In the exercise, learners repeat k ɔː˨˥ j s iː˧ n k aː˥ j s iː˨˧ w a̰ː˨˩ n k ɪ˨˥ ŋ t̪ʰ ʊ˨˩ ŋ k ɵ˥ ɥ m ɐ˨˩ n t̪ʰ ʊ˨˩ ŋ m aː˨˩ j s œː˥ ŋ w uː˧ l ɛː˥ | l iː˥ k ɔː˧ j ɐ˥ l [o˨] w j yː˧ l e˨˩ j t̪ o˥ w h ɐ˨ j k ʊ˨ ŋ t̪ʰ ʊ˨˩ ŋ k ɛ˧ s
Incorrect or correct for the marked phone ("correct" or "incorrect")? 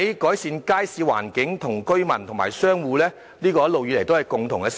correct